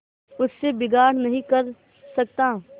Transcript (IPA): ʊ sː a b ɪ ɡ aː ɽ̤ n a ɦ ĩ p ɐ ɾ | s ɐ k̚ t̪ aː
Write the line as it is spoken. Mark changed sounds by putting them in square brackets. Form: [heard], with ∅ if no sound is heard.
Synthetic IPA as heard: ʊ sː [e] b ɪ ɡ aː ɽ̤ n [ɐ] ɦ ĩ [k] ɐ ɾ | s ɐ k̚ t̪ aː